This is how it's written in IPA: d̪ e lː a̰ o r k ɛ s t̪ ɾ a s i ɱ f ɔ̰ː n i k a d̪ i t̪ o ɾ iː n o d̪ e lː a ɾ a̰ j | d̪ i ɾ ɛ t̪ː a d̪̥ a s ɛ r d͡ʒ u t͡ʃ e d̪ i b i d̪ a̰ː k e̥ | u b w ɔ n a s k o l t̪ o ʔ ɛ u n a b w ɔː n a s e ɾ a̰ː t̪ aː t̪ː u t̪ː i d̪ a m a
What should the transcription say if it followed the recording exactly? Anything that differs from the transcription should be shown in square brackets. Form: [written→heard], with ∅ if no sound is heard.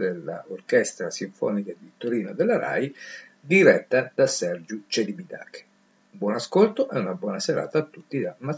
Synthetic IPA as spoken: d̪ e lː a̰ o r k ɛ s t̪ ɾ a s i ɱ f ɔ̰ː n i k a d̪ i t̪ o ɾ iː n o d̪ e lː a ɾ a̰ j | d̪ i ɾ ɛ t̪ː a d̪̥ a s ɛ r d͡ʒ u t͡ʃ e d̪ i b i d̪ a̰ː k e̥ | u b w ɔ n a s k o l t̪ o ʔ ɛ u n a b w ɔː n a s e ɾ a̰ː t̪ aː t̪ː u t̪ː i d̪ a m a